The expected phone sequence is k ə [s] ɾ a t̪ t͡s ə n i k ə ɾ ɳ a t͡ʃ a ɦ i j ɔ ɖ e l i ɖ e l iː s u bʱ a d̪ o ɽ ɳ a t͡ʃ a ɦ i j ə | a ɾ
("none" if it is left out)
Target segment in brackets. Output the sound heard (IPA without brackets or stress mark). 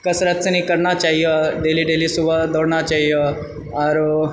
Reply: s